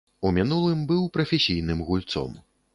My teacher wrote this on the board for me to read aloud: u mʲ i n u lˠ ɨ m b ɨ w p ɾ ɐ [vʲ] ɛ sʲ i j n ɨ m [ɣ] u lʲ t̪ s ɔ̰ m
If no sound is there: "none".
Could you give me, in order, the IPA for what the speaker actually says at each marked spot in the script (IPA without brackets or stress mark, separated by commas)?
fʲ, ɣ